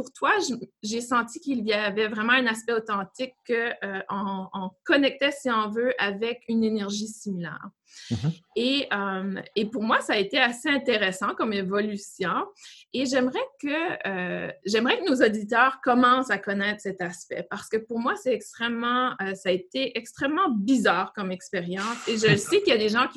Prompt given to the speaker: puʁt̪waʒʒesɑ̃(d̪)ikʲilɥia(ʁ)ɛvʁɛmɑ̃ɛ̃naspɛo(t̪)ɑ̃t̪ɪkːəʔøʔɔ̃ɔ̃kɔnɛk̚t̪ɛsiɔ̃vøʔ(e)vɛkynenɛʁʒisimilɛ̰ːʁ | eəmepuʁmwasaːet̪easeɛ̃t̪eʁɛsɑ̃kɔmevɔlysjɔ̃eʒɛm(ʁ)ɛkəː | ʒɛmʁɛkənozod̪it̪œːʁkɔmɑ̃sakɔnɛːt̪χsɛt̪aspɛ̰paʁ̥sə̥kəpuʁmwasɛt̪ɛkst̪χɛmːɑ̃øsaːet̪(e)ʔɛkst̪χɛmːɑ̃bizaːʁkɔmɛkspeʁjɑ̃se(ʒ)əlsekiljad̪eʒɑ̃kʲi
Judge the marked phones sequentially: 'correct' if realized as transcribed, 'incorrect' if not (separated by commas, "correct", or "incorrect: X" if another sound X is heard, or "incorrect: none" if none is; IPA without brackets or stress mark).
incorrect: t̪, incorrect: v, correct, incorrect: a, correct, correct, correct